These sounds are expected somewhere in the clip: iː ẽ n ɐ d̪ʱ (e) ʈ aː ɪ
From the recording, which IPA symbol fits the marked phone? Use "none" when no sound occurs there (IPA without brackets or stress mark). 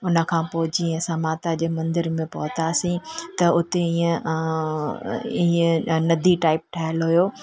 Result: i